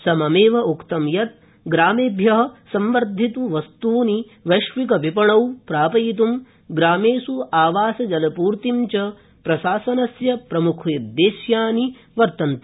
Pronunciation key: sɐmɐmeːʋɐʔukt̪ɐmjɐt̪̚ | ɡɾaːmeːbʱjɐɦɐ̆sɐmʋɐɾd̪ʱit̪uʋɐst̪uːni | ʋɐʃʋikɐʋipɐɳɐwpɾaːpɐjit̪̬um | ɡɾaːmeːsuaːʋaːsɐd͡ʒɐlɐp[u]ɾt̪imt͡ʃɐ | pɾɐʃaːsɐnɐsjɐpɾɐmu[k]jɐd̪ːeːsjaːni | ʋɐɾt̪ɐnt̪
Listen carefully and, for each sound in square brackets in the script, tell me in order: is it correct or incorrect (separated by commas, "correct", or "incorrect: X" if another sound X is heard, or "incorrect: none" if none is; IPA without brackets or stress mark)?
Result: incorrect: uː, incorrect: kʰ